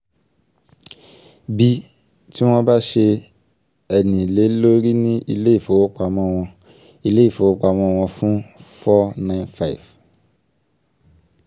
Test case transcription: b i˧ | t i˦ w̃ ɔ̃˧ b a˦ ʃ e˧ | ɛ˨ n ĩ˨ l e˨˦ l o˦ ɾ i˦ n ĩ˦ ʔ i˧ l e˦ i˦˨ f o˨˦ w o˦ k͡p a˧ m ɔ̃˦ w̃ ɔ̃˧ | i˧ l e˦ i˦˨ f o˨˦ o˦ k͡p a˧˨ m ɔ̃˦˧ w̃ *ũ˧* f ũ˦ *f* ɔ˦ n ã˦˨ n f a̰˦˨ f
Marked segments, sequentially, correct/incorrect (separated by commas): incorrect, correct